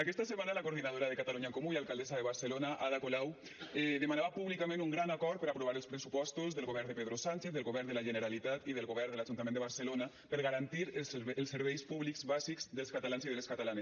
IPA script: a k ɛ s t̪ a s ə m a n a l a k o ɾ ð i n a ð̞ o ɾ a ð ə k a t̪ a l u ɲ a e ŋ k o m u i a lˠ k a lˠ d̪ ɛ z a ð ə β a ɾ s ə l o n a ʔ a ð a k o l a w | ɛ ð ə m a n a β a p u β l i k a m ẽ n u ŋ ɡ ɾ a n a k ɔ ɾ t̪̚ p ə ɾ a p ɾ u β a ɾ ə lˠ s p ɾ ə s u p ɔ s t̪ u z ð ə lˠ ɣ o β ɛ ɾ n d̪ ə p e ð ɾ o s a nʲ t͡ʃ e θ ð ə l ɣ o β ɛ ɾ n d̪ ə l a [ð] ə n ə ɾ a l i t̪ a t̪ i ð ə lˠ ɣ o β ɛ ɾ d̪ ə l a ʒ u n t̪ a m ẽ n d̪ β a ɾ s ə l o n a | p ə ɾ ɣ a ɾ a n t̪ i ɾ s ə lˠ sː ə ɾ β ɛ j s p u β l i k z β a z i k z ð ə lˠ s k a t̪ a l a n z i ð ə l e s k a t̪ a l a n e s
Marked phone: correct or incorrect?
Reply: incorrect: ʒ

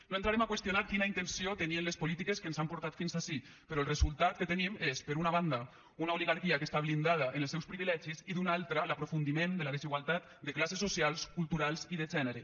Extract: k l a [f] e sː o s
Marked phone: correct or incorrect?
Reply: incorrect: s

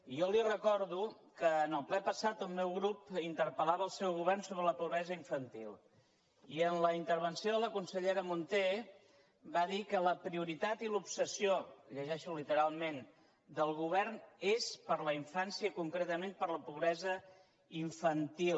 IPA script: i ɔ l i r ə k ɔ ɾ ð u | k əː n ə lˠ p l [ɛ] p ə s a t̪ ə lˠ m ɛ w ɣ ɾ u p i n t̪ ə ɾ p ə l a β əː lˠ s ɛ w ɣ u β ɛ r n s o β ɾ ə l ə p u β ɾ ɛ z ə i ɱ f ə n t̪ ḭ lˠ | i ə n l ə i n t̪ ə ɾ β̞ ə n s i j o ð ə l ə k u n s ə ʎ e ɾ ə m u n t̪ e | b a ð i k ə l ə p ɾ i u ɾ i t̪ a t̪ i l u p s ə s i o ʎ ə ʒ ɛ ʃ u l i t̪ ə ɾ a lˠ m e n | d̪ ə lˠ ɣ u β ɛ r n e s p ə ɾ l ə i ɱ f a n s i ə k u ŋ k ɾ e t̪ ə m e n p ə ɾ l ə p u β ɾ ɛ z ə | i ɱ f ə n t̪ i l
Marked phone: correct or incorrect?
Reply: correct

